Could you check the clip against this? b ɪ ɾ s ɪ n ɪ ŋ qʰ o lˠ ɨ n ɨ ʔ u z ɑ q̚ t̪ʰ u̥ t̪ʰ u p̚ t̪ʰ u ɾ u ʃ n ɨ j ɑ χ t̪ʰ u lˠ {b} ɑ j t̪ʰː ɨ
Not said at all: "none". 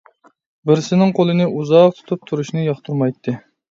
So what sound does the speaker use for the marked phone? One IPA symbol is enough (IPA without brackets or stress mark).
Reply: m